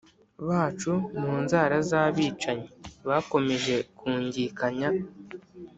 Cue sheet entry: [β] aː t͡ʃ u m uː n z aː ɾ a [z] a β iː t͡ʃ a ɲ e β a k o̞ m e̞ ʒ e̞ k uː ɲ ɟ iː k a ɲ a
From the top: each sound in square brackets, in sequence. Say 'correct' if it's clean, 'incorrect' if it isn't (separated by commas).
correct, correct